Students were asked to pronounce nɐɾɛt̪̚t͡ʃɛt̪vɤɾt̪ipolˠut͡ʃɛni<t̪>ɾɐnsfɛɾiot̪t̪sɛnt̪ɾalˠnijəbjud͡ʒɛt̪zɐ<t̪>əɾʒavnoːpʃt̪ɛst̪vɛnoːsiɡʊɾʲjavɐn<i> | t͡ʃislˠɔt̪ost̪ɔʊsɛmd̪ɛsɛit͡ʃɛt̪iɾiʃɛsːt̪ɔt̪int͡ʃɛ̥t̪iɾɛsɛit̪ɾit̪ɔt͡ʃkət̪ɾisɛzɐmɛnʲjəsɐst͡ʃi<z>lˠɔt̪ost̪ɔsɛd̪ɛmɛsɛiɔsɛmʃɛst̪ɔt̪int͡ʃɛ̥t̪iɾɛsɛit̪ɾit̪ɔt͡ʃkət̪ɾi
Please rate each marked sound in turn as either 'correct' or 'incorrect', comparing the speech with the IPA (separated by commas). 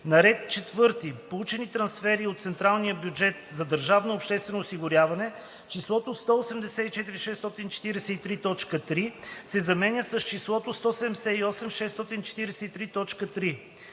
correct, incorrect, incorrect, incorrect